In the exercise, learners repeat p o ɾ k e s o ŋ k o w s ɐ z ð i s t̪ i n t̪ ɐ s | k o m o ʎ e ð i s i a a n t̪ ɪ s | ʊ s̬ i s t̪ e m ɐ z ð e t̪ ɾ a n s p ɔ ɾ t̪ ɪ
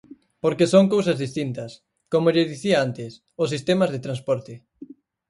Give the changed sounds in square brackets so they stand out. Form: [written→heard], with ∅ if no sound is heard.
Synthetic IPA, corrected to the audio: p o ɾ k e s o ŋ k o w s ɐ z ð i s t̪ i n t̪ ɐ s | k o m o ʎ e ð i [s→θ] i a a n t̪ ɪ s | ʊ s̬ i s t̪ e m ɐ z ð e t̪ ɾ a n s p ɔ ɾ t̪ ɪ